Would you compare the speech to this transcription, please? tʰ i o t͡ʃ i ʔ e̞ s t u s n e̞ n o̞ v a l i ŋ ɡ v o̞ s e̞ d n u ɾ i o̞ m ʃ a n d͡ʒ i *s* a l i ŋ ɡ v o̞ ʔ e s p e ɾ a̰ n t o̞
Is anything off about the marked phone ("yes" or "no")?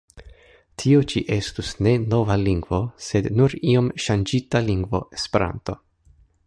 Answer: yes